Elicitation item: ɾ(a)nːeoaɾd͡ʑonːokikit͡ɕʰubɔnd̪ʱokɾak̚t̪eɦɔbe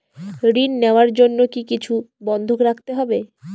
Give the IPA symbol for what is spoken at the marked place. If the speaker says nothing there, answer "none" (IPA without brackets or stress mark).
i